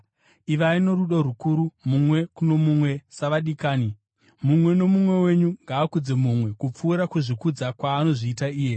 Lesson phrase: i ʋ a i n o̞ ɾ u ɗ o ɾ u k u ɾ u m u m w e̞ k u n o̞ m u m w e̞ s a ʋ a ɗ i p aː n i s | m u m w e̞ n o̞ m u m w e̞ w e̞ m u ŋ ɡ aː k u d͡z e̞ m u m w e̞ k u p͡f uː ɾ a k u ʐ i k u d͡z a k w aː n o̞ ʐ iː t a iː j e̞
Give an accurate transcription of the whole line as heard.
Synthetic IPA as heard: i ʋ a i n o̞ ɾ u ɗ o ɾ u k u ɾ u m u m w e̞ k u n o̞ m u m w e̞ s a ʋ a ɗ i k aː n i | m u m w e̞ n o̞ m u m w e̞ w e̞ ɲ u ŋ ɡ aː k u d͡z e̞ m u m w e̞ k u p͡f uː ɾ a k u ʐ i k u d͡z a k w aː n o̞ ʐ iː t a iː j e̞